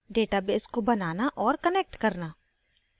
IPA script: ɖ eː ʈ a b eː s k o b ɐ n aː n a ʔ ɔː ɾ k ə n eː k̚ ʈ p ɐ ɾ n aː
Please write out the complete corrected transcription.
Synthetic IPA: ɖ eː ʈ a b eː s k o b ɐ n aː n a ʔ ɔː ɾ k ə n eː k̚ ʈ k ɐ ɾ n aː

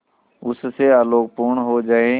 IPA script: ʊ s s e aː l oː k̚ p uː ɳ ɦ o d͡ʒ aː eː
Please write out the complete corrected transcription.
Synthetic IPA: ʊ s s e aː l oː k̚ p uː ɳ ɦ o d͡ʒ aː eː

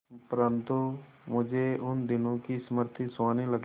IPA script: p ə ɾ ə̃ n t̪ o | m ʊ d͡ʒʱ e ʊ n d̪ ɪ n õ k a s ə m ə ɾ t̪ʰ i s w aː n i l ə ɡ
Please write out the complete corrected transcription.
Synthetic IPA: p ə ɾ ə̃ n t̪ u | m ʊ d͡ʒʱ e ʊ n d̪ ɪ n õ k i s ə m ə ɾ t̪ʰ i s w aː n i l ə ɡ

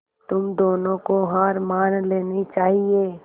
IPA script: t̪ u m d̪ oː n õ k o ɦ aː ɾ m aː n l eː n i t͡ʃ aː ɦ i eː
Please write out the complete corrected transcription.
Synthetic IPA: t̪ ʊ m d̪ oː n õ k o ɦ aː ɾ m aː n l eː n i t͡ʃ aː ɦ i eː

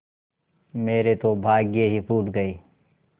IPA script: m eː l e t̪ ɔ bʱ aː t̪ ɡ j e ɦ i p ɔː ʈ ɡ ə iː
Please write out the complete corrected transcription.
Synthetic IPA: m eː ɾ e t̪ o bʱ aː ɡ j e ɦ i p uː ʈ ɡ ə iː

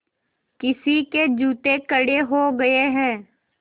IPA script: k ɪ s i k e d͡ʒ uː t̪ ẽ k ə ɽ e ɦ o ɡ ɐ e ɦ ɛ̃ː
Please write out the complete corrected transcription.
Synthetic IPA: k ɪ s i k e d͡ʒ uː t̪ e k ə ɽ e ɦ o ɡ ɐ e ɦ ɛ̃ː

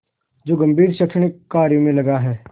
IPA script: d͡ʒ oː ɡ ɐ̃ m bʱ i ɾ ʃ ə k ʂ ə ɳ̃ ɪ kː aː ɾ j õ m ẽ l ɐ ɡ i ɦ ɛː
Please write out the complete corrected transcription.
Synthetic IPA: d͡ʒ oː ɡ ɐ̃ m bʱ iː ɾ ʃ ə k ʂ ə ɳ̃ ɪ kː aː ɾ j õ m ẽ l ɐ ɡ a ɦ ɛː

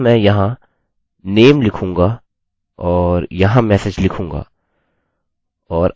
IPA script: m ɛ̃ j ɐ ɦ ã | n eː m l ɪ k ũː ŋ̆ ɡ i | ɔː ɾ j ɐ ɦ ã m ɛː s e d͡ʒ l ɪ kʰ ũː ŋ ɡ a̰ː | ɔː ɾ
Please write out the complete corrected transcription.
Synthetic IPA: m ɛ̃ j ɐ ɦ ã | n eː m l ɪ kʰ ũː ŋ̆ ɡ a | ɔː ɾ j ɐ ɦ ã m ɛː s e d͡ʒ l ɪ kʰ ũː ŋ ɡ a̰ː | ɔː ɾ

